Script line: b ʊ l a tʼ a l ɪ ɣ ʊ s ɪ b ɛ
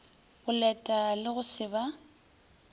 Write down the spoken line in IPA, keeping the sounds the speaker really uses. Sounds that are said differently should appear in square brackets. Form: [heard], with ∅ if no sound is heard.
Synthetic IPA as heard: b ʊ l [ɛ] tʼ a l ɪ ɣ ʊ s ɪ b [a]